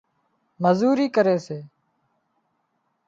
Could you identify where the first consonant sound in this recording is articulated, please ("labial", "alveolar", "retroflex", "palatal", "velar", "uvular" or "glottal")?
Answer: labial